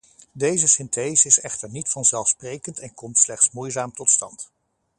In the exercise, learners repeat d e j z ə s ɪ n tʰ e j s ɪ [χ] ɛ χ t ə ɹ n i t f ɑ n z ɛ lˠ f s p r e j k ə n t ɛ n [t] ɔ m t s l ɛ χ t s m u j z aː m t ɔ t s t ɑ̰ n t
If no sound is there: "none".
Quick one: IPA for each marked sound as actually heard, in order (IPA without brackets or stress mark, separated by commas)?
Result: s, k